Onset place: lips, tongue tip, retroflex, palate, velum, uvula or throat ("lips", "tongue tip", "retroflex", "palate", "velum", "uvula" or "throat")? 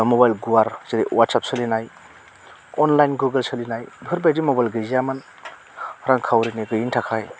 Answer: lips